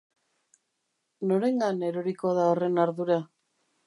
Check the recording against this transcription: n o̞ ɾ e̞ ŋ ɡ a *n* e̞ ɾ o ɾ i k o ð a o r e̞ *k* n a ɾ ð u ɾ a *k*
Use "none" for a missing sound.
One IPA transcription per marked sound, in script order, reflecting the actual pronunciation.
n, none, none

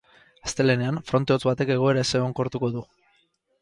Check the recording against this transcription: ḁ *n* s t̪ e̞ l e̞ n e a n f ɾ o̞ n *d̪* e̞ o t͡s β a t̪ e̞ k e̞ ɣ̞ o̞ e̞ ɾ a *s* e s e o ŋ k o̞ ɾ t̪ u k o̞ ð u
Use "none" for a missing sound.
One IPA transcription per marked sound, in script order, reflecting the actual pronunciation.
none, t̪, none

